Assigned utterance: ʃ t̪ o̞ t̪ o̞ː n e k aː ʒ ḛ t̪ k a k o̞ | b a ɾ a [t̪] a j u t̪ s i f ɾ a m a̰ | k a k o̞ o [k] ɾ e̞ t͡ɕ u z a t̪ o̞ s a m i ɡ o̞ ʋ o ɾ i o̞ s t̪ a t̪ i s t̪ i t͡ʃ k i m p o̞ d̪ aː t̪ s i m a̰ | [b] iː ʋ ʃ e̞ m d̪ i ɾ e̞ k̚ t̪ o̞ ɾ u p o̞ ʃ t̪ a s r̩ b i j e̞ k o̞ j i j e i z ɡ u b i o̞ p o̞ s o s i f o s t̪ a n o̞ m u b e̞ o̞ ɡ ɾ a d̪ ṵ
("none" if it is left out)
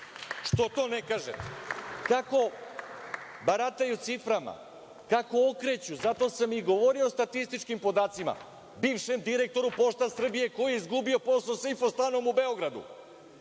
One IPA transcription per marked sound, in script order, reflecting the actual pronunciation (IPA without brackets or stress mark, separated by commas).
t̪, k, b